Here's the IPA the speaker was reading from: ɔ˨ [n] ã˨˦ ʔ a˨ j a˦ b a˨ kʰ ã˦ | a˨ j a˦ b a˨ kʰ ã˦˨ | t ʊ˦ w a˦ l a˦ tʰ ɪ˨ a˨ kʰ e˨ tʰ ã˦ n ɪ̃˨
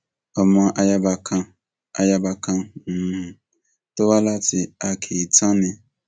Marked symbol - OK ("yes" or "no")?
no